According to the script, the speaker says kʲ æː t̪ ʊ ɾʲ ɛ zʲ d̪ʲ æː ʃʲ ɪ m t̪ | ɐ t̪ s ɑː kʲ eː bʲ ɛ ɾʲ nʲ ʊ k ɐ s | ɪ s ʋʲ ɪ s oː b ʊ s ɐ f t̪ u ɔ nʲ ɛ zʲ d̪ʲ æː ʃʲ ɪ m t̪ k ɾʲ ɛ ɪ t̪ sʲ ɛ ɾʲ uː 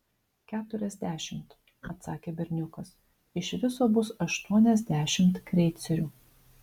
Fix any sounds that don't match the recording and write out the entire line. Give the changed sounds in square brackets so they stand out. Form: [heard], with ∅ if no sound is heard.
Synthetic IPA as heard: kʲ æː t̪ ʊ ɾʲ ɛ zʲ d̪ʲ æː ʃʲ ɪ m t̪ | ɐ t̪ s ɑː kʲ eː bʲ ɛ ɾʲ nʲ ʊ k ɐ s | ɪ [ʃ] ʋʲ ɪ s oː b ʊ s ɐ [ʃ] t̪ u ɔ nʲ ɛ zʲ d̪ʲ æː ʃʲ ɪ m t̪ k ɾʲ ɛ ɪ t̪ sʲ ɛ ɾʲ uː